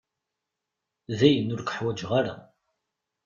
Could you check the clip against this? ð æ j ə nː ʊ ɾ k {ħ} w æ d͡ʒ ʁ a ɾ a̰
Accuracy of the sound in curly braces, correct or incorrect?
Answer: correct